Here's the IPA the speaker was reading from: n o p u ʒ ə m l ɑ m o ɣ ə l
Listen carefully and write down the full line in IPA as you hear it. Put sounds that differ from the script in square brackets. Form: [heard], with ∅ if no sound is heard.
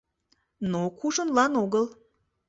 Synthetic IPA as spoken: n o [k] u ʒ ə [n] l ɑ [n] o ɣ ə l